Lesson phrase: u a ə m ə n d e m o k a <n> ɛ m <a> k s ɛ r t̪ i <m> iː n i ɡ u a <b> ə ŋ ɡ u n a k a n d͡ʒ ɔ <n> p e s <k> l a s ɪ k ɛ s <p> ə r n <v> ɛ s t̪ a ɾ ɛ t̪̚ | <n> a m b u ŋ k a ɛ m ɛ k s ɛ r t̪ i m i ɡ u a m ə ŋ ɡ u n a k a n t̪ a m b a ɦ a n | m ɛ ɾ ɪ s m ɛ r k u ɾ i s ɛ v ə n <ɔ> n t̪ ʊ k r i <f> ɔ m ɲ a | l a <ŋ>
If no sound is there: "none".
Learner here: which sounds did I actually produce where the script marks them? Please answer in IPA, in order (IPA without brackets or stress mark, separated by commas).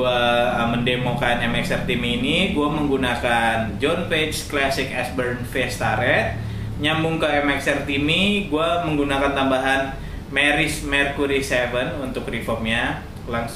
n, ɛ, m, m, n, k, b, f, ɲ, u, f, ŋ